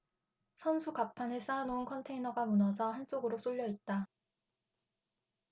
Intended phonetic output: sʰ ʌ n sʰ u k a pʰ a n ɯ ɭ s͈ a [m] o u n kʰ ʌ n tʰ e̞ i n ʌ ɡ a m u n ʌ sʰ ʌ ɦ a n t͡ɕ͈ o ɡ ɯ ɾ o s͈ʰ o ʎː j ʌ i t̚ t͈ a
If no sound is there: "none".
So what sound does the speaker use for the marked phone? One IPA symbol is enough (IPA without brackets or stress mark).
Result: n